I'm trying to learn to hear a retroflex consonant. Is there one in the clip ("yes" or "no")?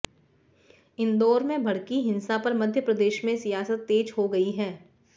yes